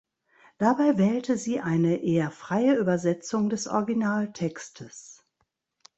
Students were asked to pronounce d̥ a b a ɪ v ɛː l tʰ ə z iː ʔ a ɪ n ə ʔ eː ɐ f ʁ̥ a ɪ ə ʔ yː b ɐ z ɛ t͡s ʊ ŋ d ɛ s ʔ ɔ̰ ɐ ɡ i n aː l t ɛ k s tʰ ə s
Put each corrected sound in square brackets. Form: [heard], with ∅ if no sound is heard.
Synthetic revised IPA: d̥ a b a ɪ v ɛː l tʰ ə z iː ʔ a ɪ n ə ʔ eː ɐ f ʁ̥ a ɪ ə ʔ yː b ɐ z ɛ t͡s ʊ ŋ d ɛ s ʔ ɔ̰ ɐ ɡ i n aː l [tʰ] ɛ k s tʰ ə s